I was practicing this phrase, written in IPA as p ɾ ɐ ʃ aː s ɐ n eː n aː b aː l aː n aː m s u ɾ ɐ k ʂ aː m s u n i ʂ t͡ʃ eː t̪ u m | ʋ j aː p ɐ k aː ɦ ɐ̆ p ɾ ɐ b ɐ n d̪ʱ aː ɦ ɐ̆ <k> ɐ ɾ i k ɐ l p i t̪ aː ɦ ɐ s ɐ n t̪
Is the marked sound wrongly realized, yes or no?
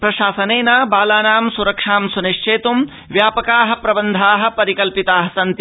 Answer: yes